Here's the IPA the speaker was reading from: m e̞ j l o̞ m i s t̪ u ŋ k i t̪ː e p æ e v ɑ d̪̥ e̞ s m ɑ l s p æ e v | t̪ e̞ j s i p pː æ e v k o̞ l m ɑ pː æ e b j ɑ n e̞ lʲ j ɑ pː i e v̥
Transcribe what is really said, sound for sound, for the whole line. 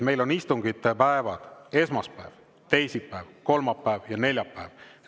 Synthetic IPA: m e̞ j l o̞ n i s t̪ u ŋ ɡ i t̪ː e p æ e v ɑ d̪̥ e̞ s m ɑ s p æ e v | t̪ e̞ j s i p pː æ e v k o̞ l m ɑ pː æ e v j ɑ n e̞ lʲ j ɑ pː æ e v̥